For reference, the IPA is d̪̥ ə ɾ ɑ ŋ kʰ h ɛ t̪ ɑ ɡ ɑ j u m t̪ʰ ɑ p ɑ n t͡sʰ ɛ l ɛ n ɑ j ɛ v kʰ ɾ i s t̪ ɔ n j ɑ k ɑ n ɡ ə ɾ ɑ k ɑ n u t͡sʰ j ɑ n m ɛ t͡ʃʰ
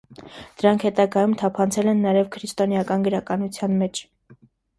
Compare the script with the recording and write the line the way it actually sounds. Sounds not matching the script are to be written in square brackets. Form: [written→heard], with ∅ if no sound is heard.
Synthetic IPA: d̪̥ ə ɾ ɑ ŋ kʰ h ɛ t̪ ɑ ɡ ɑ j u m t̪ʰ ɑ [p→pʰ] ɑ n t͡sʰ ɛ l ɛ [n→nː] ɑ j ɛ v kʰ ɾ i s t̪ ɔ n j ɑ k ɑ n ɡ ə ɾ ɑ k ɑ n u t͡sʰ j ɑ n m ɛ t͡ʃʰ